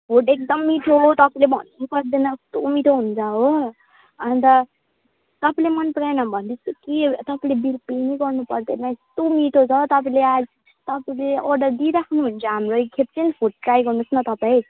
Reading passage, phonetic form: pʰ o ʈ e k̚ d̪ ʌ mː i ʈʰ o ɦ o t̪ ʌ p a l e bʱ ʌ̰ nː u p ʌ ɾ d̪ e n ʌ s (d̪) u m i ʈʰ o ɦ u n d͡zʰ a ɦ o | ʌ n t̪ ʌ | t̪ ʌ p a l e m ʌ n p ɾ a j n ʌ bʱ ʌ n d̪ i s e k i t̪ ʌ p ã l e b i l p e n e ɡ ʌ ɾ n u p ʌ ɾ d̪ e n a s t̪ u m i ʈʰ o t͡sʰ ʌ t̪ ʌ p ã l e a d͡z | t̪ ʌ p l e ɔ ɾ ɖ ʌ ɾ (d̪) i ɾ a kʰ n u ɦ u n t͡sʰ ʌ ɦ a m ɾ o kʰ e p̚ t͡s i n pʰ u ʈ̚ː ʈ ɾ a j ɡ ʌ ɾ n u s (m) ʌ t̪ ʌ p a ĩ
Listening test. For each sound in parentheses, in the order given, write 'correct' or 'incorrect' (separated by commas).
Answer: incorrect, correct, incorrect